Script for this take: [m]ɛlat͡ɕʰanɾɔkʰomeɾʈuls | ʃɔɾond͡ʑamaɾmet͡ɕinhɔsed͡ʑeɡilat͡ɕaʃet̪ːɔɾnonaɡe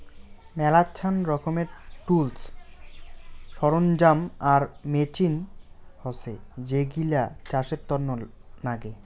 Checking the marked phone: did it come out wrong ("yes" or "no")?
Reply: no